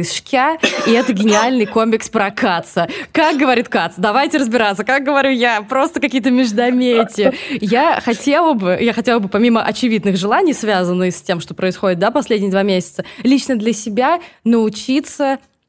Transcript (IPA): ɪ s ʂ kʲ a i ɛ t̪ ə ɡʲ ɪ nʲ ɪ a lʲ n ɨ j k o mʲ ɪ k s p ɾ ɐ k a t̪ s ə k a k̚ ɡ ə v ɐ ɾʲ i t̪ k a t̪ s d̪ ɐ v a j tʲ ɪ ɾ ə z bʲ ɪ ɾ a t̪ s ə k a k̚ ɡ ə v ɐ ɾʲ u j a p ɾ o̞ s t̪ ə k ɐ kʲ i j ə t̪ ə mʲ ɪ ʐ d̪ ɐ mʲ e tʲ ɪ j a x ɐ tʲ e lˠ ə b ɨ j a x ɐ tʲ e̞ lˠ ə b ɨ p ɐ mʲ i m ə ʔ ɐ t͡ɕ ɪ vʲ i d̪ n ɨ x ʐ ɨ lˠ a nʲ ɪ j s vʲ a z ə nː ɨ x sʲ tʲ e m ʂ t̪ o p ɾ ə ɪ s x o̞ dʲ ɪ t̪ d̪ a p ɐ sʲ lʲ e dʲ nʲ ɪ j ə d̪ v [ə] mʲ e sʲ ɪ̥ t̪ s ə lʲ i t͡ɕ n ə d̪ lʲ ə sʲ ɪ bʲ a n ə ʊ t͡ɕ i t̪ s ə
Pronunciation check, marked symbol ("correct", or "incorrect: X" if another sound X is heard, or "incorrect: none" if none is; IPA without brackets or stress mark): incorrect: a